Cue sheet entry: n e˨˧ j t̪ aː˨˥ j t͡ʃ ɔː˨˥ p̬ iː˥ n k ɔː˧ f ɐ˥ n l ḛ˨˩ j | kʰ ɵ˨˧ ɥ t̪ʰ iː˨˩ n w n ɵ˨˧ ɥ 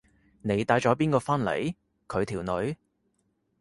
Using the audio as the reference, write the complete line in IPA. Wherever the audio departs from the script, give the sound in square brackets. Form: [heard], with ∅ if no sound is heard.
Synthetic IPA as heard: n e˨˧ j t̪ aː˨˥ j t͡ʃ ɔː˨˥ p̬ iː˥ n k ɔː˧ f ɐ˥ n l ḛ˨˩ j | kʰ ɵ˨˧ ɥ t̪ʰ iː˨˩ [∅] w n ɵ˨˧ ɥ